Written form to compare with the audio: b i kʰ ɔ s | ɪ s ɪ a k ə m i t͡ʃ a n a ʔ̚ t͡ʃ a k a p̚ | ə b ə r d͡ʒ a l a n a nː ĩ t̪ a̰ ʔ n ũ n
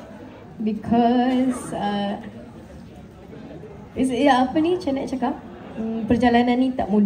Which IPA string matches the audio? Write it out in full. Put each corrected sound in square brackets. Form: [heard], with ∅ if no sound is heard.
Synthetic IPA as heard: b i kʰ ɔ s | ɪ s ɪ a [p] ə [n] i t͡ʃ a n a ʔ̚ t͡ʃ a k a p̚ | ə [p] ə r d͡ʒ a l a n a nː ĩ t̪ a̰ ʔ [m] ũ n